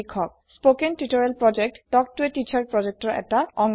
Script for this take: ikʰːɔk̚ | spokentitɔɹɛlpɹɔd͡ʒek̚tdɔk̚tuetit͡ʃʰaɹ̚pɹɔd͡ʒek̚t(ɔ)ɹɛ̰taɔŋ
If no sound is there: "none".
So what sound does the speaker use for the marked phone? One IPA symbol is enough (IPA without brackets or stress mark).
ɔ